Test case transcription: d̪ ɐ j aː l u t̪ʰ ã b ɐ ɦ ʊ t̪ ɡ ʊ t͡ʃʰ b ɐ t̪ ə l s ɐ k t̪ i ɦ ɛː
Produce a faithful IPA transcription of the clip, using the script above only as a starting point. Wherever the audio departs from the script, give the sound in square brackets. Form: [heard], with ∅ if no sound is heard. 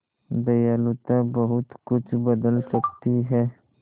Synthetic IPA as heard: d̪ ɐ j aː l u [t̪] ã b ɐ ɦ ʊ t̪ [k] ʊ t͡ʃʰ b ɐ [d̪] ə l s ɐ k t̪ i ɦ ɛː